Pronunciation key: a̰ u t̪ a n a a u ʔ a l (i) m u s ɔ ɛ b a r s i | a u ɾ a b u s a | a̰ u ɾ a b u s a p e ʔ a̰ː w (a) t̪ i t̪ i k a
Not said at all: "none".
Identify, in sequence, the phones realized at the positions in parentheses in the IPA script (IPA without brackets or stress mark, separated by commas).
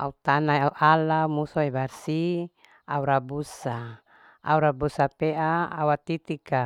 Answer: a, a